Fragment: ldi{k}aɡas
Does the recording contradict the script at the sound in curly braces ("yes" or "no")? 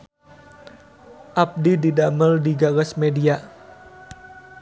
yes